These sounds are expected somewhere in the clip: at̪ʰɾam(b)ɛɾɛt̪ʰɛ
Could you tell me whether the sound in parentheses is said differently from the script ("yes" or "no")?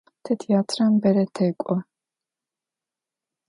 no